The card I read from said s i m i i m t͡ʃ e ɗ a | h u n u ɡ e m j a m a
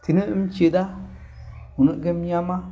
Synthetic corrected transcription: t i n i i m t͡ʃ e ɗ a | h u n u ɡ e m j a m a